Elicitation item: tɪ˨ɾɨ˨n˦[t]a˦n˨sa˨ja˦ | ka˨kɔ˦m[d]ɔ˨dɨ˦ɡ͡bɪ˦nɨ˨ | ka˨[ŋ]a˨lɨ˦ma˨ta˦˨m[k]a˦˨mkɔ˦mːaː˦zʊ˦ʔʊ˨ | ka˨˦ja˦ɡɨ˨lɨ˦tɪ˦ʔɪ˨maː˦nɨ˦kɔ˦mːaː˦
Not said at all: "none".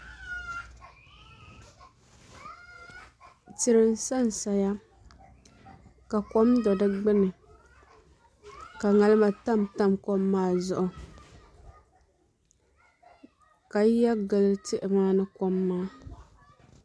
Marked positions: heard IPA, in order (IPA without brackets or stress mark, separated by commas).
s, d, ŋ, t